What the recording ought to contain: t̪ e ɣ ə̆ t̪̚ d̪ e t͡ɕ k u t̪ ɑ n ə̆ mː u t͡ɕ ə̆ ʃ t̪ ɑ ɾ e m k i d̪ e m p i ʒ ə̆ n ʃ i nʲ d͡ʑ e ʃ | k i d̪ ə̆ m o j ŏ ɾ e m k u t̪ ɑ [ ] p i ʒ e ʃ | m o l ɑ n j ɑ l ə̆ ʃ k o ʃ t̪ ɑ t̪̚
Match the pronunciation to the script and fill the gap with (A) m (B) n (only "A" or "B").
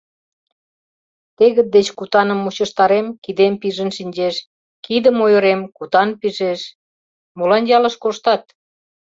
B